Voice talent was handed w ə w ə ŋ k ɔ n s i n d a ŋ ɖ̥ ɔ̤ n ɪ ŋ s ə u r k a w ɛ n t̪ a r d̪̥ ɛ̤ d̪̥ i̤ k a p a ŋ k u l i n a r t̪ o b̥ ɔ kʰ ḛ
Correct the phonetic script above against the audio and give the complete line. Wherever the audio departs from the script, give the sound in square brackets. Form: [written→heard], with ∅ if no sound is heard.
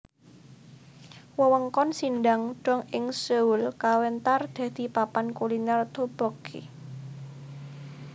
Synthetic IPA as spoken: w ə w ə ŋ k ɔ n s i n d a ŋ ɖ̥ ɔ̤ [n→ŋ] ɪ ŋ s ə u [r→l] k a w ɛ n t̪ a r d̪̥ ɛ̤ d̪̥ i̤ [k→p] a p a [ŋ→n] k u l i n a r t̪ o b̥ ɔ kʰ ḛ